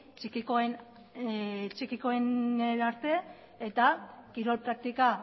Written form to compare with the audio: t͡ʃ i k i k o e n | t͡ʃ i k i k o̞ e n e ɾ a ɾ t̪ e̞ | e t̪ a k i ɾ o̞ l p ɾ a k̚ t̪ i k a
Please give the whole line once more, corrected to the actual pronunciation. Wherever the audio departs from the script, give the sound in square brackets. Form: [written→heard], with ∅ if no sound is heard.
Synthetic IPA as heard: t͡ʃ i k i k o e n | t͡ʃ i k i k o̞ e n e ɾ a ɾ t̪ e̞ | e t̪ a k i ɾ o̞ l p ɾ a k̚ t̪ i k a